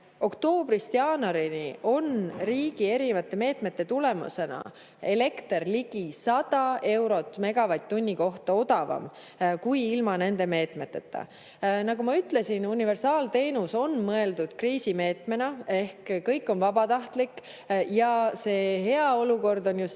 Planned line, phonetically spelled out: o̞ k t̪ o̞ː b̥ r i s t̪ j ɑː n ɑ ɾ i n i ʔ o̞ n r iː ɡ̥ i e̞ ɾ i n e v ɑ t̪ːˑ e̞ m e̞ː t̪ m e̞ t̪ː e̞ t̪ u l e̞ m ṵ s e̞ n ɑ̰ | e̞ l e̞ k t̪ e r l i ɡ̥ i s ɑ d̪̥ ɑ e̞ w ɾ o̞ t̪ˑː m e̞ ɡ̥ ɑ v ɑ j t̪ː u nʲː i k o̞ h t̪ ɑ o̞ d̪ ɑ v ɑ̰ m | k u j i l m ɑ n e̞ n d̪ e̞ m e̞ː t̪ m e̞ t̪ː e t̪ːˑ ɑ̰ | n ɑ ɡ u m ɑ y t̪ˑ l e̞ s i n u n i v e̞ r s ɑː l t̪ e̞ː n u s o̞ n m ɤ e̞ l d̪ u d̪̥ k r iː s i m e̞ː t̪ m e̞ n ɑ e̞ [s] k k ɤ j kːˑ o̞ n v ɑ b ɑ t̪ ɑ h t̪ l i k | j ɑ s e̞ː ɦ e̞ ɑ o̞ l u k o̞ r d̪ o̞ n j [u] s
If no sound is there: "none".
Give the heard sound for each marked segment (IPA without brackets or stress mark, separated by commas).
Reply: h, u